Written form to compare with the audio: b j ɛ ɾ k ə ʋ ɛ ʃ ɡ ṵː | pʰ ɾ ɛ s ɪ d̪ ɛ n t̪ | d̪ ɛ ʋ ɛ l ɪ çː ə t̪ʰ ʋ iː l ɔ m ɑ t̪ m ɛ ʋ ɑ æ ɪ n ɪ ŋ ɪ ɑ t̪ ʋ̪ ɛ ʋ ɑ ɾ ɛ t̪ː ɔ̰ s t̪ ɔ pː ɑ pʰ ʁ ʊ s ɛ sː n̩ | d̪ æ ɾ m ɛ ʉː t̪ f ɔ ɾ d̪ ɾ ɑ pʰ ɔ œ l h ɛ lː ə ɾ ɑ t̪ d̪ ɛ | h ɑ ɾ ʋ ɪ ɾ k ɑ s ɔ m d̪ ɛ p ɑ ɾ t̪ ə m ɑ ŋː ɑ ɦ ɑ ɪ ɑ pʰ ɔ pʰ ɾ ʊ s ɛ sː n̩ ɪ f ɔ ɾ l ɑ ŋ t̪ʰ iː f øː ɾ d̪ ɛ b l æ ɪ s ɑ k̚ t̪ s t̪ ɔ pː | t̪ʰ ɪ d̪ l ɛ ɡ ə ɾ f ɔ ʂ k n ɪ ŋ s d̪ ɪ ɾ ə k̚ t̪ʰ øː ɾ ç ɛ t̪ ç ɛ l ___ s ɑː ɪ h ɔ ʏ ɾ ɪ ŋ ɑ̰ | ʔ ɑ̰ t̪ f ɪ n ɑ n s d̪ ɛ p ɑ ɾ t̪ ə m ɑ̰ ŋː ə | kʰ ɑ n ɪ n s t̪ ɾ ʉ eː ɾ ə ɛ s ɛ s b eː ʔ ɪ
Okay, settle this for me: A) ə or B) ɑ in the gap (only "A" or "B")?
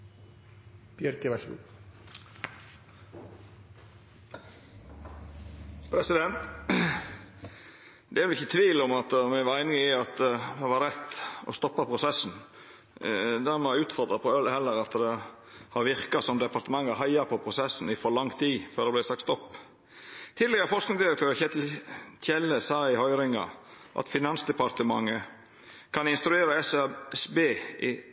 A